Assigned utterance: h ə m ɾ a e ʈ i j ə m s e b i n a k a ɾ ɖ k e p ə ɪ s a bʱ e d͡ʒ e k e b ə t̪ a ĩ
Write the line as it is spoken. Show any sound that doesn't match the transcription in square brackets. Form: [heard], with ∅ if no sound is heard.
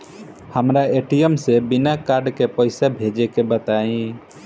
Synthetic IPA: h ə m ɾ a e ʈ i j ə m s e b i n a k a ɾ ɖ k e p ə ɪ s a bʱ e d͡ʒ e k e b ə t̪ a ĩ